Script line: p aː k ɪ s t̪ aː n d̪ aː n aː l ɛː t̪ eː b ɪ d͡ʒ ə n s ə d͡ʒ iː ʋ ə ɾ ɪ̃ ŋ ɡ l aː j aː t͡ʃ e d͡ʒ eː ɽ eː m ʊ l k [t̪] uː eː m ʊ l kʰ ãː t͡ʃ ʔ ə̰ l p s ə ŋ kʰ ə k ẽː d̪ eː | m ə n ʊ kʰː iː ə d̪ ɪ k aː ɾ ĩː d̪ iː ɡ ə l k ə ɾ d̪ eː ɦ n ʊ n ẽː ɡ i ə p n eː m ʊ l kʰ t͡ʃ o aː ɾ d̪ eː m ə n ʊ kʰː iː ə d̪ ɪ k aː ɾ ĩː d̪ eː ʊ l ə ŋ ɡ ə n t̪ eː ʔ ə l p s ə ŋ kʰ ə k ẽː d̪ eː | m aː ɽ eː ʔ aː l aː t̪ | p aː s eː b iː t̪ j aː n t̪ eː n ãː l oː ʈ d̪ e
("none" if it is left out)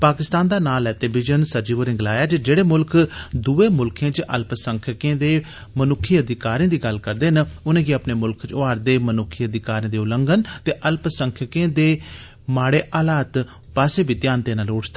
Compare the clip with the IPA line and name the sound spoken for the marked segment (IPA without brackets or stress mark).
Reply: d̪